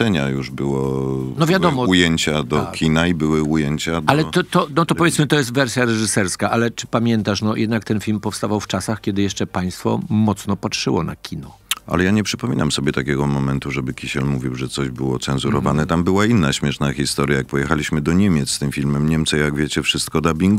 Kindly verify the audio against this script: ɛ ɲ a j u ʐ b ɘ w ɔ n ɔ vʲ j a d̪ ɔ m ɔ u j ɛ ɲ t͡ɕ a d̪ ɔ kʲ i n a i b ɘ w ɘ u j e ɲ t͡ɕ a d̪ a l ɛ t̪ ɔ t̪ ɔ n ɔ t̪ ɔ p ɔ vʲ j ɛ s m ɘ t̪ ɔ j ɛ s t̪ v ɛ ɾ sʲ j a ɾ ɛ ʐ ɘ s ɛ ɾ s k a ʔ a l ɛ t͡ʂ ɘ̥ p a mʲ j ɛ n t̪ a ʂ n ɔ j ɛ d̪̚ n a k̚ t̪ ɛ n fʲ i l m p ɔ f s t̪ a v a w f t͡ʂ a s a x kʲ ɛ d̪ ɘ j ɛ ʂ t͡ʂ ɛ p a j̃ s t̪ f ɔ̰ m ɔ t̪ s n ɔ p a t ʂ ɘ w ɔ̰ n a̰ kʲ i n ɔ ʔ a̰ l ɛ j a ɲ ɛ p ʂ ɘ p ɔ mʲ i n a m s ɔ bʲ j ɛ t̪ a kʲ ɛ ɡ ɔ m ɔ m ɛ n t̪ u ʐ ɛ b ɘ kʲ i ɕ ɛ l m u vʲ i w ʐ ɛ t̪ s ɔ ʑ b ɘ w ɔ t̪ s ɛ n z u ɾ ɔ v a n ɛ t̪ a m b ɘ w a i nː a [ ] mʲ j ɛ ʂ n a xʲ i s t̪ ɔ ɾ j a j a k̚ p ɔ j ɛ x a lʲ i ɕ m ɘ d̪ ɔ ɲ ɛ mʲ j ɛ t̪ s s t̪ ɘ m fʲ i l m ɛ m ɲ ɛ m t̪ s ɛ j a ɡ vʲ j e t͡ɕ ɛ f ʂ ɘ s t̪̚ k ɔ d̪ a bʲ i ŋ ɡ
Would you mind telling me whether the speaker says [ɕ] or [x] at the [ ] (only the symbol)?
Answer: ɕ